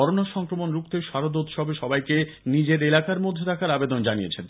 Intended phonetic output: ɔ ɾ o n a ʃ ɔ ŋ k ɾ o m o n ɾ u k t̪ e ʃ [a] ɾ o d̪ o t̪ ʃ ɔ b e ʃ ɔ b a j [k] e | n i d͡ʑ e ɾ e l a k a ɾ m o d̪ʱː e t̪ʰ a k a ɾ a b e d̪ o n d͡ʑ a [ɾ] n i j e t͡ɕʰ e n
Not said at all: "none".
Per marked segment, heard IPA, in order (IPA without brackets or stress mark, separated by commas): a, k, none